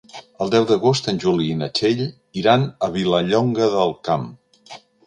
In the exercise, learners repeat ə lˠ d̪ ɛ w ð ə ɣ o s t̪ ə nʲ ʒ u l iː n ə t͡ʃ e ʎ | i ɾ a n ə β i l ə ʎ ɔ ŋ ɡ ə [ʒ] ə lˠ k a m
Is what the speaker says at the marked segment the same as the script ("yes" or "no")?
no